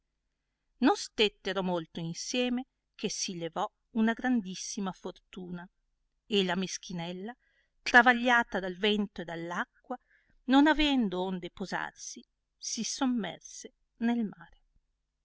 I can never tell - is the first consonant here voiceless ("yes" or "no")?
no